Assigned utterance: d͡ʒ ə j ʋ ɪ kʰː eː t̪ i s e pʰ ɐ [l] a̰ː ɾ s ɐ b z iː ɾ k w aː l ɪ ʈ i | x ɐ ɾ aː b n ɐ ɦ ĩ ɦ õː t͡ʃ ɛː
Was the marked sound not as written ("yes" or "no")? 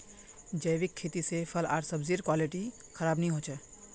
no